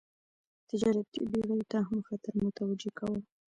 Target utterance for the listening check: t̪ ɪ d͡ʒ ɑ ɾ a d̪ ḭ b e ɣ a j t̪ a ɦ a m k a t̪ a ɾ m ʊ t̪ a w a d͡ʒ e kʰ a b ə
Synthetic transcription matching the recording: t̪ ɪ d͡ʒ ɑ ɾ a t̪ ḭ b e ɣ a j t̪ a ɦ a m x a t̪ a ɾ m ʊ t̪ a w a d͡ʒ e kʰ a w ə